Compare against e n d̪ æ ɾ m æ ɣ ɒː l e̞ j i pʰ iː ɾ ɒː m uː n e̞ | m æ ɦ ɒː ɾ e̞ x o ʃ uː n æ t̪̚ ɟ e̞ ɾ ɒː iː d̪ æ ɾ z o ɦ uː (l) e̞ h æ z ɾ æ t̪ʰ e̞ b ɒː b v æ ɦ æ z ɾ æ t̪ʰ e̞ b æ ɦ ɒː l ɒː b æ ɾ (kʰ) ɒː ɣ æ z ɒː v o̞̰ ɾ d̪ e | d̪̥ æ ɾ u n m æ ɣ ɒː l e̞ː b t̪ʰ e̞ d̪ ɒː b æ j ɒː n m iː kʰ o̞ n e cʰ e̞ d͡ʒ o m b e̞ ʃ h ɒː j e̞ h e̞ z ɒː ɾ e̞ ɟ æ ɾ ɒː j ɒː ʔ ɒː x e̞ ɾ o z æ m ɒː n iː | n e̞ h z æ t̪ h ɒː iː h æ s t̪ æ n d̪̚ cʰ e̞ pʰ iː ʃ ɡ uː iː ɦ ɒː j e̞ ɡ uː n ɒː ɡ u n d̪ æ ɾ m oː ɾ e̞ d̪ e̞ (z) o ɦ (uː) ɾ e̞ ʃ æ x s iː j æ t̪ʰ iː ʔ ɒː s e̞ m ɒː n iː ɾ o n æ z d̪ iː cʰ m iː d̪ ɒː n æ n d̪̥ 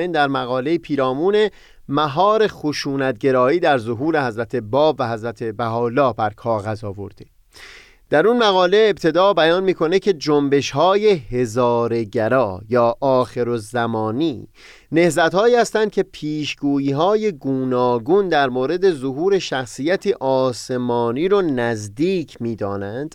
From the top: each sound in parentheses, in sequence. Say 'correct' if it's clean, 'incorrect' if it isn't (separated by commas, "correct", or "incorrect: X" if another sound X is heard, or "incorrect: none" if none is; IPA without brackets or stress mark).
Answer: incorrect: ɾ, correct, correct, correct